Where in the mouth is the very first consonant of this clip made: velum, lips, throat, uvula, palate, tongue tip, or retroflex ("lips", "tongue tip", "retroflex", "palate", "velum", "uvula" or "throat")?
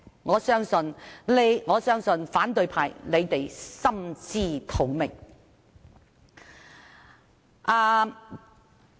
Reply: velum